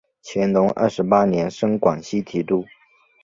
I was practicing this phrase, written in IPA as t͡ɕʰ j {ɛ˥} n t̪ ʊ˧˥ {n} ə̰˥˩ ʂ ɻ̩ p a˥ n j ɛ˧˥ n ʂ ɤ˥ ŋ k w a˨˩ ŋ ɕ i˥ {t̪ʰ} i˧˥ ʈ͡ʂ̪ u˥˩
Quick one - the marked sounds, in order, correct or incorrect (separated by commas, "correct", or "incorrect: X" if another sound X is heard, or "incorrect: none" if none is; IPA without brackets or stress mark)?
incorrect: ɛ˧˥, incorrect: ŋ, correct